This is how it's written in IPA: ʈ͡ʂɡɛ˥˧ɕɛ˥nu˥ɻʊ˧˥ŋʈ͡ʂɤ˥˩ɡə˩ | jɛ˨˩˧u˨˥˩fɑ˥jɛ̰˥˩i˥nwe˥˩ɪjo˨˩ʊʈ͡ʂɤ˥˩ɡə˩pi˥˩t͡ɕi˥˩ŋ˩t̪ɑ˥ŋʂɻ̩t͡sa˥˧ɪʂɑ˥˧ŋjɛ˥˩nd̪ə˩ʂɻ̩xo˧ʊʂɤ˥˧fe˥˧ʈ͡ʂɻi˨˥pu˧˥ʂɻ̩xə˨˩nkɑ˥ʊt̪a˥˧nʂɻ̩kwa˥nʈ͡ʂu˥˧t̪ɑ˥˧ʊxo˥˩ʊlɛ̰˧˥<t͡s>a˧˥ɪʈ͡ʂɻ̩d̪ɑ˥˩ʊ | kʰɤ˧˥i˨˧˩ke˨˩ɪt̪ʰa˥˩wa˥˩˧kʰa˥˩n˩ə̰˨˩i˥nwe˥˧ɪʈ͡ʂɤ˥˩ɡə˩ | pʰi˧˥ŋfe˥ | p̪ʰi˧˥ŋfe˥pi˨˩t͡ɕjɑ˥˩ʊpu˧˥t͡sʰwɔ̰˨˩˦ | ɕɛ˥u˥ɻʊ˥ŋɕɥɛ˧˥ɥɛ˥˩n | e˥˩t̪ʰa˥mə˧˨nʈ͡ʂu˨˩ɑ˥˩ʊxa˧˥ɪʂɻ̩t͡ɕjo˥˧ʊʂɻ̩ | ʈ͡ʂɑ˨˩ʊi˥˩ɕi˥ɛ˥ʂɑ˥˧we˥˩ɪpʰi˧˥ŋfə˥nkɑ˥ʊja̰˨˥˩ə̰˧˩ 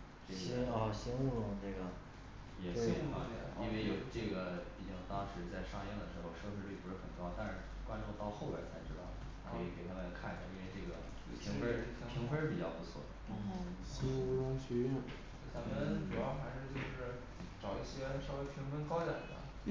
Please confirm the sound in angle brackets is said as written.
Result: no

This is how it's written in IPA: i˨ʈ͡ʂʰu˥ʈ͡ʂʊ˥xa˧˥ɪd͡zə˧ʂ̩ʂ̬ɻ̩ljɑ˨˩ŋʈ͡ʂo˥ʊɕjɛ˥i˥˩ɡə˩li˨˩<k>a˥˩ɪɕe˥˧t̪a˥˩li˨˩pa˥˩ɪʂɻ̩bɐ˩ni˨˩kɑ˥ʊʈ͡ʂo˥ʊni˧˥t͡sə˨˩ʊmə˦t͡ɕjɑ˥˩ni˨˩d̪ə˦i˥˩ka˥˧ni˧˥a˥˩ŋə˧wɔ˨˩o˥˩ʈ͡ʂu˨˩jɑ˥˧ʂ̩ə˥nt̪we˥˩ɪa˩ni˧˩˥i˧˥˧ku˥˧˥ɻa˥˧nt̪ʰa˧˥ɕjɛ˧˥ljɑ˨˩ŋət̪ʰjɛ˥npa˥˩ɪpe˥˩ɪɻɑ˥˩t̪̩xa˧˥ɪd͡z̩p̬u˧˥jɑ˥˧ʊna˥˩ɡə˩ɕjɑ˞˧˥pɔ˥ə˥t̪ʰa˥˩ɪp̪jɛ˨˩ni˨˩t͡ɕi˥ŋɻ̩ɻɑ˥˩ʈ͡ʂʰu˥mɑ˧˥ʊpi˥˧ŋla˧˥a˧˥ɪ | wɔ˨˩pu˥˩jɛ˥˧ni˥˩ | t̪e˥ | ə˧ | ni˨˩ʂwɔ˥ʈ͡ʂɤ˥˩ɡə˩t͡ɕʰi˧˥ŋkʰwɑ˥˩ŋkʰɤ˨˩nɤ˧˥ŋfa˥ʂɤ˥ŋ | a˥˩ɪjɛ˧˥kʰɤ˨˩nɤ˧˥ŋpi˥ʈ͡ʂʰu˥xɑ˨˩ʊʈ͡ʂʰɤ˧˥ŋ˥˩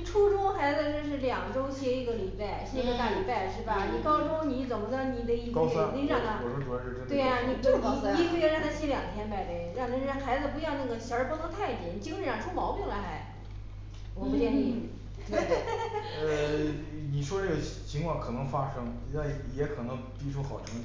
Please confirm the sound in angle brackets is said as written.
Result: no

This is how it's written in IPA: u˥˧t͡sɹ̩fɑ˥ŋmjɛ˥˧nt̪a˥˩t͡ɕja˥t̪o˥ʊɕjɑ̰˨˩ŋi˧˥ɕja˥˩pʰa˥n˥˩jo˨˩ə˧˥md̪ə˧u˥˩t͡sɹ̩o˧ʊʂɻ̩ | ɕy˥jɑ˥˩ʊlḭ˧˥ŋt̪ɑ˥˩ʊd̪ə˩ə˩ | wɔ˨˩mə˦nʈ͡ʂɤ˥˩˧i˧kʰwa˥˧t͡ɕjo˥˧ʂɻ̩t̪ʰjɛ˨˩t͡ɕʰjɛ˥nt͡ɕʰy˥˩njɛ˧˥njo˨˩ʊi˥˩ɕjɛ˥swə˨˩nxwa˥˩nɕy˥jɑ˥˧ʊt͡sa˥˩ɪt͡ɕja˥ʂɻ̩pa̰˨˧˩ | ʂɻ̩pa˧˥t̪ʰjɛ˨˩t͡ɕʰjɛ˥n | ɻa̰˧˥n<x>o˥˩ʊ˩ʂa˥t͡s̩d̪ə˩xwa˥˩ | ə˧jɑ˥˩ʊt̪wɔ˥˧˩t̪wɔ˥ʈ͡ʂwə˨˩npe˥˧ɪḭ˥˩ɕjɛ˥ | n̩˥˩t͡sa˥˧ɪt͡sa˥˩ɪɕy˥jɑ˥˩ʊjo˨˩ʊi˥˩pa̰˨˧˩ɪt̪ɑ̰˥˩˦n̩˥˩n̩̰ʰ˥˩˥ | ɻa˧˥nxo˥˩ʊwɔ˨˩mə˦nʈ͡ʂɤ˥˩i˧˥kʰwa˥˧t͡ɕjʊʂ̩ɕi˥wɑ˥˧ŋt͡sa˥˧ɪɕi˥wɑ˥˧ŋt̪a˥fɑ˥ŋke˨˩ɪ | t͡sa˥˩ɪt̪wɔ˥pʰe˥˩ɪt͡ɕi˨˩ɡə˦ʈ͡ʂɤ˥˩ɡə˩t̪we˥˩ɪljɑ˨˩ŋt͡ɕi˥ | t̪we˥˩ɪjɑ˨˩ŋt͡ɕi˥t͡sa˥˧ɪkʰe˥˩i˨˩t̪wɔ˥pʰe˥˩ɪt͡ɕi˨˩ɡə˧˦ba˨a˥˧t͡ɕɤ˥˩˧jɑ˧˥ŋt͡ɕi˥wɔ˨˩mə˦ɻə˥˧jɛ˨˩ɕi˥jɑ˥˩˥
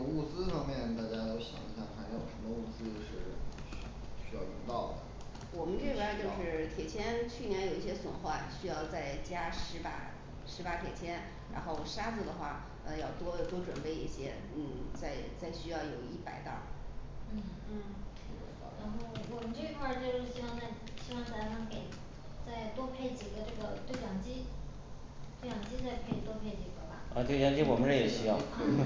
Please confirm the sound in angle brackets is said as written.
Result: yes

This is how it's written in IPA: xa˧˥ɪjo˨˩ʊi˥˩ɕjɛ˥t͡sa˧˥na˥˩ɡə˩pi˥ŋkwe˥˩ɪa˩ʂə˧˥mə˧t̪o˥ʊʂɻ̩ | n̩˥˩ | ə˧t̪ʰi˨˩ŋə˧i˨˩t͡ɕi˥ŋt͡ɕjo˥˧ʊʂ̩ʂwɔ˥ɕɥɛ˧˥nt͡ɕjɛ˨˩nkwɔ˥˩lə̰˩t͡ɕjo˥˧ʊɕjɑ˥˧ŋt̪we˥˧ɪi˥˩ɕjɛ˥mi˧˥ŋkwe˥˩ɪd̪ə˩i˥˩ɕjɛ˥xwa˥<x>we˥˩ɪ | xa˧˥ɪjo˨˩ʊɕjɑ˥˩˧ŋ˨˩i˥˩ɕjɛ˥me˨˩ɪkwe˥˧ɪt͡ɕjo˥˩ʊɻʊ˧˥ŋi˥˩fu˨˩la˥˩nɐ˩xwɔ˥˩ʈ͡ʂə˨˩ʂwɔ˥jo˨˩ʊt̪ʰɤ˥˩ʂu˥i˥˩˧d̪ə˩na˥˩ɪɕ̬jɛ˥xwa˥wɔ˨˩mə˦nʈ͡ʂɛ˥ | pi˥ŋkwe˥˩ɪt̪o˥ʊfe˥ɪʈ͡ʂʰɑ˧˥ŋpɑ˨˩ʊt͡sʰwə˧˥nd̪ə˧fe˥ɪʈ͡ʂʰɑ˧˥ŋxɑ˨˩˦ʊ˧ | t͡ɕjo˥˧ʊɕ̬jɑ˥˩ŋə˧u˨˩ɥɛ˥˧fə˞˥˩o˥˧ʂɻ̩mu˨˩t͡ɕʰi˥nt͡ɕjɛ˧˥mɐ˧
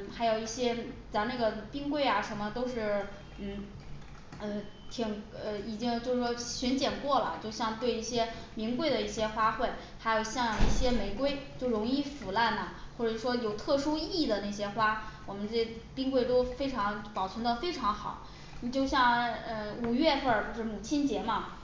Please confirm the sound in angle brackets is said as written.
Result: yes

